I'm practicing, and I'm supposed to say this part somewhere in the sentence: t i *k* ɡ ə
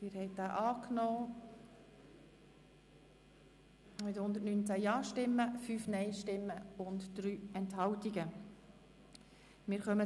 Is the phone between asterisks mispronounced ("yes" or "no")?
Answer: yes